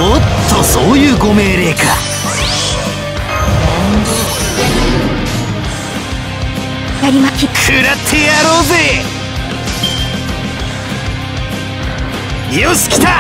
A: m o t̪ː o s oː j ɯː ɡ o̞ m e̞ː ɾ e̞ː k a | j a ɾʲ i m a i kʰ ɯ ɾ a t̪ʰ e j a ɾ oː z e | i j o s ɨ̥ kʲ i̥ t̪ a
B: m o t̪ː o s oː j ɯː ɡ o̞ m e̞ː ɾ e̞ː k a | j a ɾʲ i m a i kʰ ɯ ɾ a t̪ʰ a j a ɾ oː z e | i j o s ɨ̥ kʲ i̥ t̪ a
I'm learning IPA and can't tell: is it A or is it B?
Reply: A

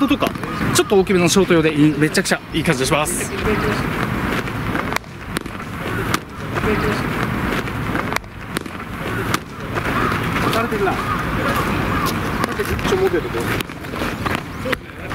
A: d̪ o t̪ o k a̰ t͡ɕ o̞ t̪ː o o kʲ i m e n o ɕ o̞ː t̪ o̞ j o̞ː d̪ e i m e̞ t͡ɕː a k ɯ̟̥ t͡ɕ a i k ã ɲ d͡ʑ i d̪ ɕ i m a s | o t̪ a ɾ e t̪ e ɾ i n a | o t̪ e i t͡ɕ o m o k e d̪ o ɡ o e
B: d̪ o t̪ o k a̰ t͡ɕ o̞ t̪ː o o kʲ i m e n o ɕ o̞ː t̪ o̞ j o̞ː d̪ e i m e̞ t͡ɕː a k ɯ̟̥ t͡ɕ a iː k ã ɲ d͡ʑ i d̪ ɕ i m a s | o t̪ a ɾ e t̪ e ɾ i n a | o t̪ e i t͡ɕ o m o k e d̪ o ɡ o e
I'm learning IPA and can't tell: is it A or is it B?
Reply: B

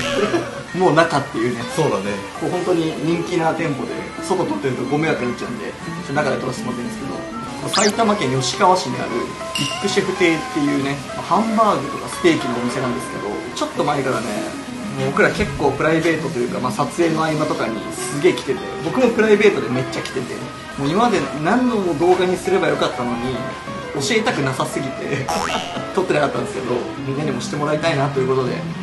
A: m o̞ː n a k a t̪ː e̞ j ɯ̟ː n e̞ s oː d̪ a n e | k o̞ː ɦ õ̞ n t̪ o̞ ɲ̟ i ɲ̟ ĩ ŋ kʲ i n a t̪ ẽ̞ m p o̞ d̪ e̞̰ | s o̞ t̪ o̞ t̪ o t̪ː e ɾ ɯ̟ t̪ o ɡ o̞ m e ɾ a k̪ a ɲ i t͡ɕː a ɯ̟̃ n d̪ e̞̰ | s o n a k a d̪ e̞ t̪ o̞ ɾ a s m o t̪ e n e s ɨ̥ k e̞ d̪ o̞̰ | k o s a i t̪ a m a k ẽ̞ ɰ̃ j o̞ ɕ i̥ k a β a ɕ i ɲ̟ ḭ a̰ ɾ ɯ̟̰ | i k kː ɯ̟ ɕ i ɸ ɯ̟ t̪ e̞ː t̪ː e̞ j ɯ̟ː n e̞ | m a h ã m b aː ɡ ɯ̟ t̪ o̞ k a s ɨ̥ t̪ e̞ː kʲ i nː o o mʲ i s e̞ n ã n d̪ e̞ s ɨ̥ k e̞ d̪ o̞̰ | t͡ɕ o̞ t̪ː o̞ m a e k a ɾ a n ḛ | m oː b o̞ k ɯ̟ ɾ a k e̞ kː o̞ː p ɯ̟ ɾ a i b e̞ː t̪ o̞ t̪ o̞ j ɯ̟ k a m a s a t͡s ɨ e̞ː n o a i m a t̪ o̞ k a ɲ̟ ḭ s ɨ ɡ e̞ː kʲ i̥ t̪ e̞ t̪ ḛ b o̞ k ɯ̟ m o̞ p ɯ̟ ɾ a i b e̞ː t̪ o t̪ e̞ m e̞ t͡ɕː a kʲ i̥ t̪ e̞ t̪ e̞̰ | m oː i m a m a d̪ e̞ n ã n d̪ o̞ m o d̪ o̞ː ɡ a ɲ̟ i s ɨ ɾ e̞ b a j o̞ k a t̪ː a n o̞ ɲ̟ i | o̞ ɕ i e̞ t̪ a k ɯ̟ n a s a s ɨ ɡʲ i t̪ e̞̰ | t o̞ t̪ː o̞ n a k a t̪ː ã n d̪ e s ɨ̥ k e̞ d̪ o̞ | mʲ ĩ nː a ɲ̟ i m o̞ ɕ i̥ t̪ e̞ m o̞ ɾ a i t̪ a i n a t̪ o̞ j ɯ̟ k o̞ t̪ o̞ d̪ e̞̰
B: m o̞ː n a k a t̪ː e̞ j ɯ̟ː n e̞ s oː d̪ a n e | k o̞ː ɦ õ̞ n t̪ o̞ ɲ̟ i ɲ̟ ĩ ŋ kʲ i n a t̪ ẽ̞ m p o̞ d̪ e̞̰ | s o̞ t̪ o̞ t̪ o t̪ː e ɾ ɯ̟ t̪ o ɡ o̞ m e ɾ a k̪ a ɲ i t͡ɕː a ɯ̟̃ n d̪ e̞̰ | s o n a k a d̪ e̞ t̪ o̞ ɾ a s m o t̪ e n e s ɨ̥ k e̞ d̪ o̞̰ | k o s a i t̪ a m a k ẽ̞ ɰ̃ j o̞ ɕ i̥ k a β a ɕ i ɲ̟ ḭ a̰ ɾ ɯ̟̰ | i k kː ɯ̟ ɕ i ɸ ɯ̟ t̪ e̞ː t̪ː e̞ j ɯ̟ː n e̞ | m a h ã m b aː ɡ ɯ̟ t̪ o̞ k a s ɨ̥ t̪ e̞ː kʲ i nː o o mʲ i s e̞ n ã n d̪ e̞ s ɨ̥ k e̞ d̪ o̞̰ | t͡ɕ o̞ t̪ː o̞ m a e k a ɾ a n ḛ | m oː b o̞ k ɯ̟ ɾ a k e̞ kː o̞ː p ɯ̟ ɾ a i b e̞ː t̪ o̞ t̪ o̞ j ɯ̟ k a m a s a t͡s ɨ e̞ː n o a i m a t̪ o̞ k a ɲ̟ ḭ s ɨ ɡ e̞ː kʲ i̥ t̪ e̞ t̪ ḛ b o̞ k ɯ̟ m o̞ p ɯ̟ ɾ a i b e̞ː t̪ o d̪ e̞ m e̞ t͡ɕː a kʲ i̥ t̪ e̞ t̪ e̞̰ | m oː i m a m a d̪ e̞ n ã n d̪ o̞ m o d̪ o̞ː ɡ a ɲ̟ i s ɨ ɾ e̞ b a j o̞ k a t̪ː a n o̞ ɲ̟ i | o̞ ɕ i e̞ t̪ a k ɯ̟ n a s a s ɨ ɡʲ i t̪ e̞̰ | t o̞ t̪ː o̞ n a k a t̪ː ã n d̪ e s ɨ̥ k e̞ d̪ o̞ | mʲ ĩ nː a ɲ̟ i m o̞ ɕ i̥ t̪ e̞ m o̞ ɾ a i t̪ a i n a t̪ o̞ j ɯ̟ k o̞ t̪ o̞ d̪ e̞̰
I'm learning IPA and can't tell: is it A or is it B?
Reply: B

